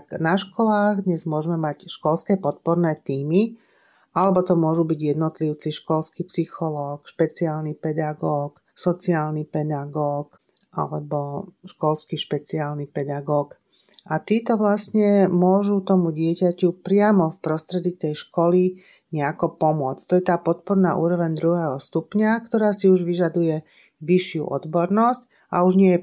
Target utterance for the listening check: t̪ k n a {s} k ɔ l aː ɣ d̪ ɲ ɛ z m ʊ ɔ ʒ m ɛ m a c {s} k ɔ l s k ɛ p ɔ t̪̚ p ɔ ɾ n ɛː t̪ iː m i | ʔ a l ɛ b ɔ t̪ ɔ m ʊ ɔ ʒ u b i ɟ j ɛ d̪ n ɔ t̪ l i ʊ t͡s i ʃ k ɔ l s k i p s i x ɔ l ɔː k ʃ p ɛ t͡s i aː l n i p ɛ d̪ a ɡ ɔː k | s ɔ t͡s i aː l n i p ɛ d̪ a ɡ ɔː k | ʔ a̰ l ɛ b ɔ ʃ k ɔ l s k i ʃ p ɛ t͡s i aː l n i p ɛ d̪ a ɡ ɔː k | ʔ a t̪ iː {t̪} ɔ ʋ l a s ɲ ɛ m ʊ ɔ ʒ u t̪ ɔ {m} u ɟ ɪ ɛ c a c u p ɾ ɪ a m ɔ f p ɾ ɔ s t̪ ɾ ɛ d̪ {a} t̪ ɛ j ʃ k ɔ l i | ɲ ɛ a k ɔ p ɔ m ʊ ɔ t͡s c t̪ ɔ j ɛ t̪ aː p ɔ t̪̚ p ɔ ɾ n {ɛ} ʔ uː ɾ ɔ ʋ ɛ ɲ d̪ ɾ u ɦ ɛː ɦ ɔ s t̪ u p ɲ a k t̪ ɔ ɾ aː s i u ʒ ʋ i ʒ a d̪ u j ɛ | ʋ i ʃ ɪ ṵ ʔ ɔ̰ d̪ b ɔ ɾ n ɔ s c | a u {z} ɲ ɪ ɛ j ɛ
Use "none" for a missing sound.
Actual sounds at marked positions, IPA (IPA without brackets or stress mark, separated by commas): ʃ, ʃ, t̪, m, i, a, ʒ